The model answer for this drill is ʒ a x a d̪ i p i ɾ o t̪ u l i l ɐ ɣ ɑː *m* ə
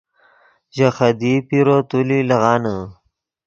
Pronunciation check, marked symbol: incorrect: n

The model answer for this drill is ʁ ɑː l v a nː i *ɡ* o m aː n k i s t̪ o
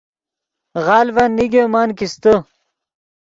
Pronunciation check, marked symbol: correct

